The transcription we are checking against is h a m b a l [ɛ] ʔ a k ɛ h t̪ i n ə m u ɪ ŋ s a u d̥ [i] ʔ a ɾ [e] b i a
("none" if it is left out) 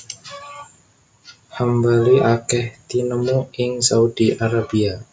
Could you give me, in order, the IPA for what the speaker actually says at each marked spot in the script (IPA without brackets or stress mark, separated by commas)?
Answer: i, i, a